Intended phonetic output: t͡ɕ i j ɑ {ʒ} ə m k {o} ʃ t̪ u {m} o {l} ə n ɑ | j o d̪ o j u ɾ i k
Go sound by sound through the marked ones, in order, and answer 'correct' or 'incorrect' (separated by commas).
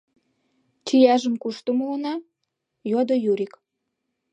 correct, incorrect, correct, correct